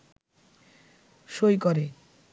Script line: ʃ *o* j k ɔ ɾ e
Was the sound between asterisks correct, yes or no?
yes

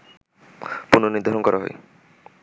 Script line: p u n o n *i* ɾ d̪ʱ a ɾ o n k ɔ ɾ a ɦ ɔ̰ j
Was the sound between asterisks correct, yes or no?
yes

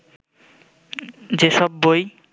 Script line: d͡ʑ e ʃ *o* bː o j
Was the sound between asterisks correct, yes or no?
no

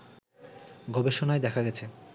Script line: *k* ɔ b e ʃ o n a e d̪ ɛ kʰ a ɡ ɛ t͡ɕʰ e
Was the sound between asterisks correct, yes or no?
no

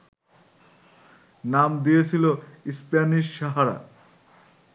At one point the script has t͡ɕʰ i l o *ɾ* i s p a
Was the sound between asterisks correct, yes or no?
no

